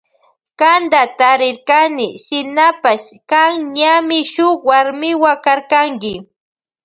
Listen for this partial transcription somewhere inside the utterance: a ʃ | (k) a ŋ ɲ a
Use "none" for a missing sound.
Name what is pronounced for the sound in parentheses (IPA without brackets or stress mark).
k